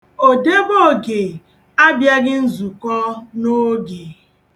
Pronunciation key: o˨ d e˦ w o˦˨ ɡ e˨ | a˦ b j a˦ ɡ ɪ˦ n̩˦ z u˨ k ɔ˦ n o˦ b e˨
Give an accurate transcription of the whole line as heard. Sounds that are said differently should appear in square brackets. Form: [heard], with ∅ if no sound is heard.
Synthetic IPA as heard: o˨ d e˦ [b] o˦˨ ɡ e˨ | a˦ b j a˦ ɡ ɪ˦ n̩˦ z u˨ k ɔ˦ n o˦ [ɡ] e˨